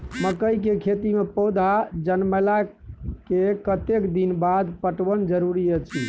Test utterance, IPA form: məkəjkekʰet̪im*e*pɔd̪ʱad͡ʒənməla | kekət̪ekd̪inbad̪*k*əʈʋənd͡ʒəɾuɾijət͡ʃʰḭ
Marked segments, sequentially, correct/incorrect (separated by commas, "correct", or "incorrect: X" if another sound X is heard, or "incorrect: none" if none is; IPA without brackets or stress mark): correct, incorrect: p